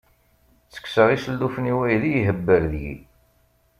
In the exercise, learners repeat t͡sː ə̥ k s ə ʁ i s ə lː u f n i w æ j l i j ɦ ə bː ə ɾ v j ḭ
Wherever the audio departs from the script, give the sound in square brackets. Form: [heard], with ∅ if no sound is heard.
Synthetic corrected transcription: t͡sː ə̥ k s ə ʁ i s ə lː u f n i w æ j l i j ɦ ə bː ə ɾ [ð] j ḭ